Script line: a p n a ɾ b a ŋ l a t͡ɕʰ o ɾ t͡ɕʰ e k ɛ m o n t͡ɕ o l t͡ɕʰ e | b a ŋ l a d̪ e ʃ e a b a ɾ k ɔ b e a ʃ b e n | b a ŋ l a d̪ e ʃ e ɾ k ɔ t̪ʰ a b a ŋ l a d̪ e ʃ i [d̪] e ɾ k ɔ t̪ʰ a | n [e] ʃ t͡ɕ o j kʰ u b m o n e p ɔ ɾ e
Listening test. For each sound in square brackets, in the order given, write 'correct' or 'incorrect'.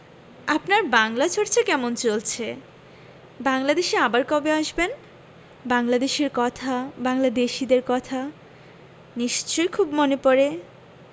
correct, incorrect

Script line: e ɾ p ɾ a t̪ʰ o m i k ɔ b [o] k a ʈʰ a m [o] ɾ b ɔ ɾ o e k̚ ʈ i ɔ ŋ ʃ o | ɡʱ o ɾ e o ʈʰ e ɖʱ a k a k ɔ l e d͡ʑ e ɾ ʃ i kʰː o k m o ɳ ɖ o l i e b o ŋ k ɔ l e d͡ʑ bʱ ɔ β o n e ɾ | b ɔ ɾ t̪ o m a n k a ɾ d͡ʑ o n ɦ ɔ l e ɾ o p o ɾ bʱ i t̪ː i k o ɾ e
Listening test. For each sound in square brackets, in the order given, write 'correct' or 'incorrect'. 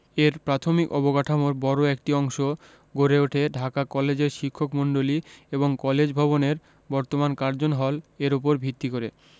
correct, correct

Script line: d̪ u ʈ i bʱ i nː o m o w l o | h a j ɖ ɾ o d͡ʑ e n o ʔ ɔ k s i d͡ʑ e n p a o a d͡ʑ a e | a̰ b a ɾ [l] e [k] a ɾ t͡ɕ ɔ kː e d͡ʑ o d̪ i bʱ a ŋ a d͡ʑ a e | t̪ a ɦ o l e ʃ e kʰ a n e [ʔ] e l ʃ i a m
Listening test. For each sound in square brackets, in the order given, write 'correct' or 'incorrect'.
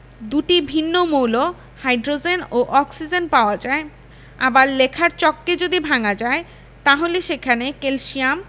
correct, incorrect, incorrect

